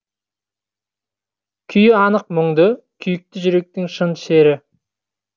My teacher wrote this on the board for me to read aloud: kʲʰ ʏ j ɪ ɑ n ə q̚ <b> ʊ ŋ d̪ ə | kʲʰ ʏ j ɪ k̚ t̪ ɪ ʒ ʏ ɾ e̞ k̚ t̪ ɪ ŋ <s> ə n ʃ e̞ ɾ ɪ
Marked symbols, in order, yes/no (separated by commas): no, no